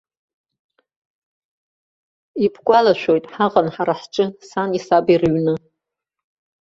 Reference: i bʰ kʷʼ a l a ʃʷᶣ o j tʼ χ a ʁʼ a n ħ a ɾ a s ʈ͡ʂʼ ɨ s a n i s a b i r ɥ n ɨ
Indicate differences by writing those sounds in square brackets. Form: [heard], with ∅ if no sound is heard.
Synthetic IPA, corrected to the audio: i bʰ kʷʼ a l a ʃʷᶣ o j tʼ [ħ] a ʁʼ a n ħ a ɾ a [ħ] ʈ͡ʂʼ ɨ s a n i s a b i r ɥ n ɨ